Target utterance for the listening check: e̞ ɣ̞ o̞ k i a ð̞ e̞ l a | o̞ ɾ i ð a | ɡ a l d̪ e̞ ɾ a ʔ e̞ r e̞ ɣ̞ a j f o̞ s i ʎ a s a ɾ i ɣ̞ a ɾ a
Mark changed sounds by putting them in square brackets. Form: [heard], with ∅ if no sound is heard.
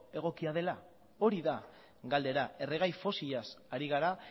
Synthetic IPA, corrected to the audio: e̞ ɣ̞ o̞ k i a ð̞ e̞ l a | o̞ ɾ i ð a | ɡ a l d̪ e̞ ɾ a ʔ e̞ r e̞ ɣ̞ a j f o̞ s i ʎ a s a ɾ i ɣ̞ a ɾ a